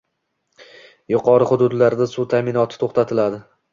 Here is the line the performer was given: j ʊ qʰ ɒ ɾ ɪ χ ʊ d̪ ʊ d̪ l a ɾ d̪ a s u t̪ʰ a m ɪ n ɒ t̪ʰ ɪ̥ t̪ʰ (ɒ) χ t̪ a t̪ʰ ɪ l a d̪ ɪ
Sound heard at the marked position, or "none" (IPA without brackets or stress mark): o